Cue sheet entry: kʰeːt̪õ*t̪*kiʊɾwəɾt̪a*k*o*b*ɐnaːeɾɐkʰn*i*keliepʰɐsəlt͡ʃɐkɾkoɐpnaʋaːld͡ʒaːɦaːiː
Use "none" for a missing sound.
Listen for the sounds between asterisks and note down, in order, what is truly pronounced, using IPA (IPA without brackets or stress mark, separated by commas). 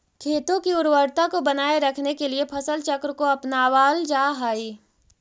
none, k, b, e